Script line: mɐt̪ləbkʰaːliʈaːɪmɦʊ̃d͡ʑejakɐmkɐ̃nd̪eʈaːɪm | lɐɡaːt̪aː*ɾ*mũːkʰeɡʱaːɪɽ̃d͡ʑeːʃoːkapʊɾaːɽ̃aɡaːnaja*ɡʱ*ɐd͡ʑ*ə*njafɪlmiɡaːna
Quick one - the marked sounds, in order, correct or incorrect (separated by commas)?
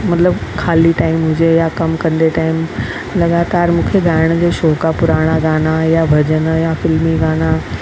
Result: correct, incorrect, correct